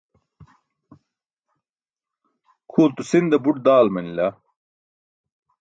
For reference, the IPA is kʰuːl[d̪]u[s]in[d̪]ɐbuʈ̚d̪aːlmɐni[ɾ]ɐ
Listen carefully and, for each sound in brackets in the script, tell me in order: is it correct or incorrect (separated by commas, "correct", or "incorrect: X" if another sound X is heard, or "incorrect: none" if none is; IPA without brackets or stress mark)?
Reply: incorrect: t̪, correct, correct, incorrect: l